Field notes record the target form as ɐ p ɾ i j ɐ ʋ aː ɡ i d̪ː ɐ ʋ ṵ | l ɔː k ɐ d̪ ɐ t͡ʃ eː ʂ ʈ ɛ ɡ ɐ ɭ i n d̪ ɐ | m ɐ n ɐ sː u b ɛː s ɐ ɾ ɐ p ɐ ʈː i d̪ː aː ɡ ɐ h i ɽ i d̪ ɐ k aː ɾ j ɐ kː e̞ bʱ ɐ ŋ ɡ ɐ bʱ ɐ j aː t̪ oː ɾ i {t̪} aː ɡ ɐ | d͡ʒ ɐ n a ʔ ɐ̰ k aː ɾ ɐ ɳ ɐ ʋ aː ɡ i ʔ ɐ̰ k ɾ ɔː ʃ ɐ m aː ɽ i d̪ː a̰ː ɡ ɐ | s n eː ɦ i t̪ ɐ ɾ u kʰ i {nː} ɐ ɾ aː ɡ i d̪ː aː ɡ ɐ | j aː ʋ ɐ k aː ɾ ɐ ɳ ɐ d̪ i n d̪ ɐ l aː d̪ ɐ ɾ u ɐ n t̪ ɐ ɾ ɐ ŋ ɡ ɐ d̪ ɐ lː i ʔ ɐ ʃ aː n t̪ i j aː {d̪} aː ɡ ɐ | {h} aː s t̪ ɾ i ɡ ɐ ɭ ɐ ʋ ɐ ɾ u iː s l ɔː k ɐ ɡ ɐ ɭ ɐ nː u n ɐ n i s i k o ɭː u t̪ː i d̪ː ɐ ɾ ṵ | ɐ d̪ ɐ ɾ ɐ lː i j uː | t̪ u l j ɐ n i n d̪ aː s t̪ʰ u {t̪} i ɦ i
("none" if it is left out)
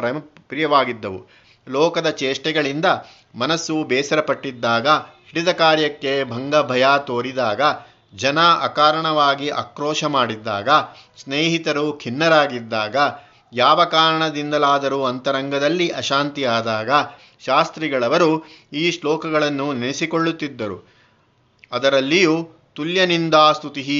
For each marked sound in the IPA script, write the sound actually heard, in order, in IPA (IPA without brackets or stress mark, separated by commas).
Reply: d̪, nː, d̪, ʃ, t̪